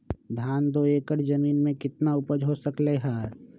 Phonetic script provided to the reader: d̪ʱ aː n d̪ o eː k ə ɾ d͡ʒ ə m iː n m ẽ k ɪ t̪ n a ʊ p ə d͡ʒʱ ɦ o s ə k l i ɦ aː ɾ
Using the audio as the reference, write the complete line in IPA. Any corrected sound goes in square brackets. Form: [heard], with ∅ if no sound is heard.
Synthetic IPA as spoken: d̪ʱ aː n d̪ o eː k ə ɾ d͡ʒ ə m iː n m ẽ k ɪ t̪ n a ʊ p ə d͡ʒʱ ɦ o s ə k l [e] ɦ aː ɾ